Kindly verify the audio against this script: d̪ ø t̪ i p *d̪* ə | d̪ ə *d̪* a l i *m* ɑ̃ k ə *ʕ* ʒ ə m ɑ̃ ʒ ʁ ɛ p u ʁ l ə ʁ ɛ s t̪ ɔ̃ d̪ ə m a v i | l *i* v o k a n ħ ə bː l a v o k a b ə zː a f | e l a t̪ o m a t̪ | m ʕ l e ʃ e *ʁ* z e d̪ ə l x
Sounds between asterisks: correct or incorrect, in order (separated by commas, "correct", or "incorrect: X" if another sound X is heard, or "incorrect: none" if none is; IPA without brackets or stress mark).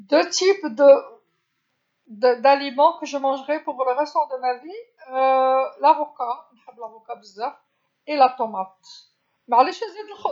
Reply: correct, correct, correct, incorrect: none, incorrect: a, incorrect: none